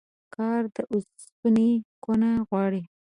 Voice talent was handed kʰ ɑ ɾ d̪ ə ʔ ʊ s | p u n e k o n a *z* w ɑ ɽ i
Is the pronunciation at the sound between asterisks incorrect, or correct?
incorrect